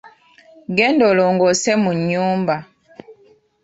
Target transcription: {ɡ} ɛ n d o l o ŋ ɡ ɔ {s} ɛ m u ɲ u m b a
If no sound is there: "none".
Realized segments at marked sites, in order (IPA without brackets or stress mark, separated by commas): ɡ, s